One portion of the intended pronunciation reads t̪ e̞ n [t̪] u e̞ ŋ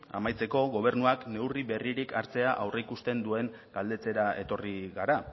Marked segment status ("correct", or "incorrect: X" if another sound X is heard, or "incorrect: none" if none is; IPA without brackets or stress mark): incorrect: d̪